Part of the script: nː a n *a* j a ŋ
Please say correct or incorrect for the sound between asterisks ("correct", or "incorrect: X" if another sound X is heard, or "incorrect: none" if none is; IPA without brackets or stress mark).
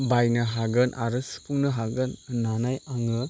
correct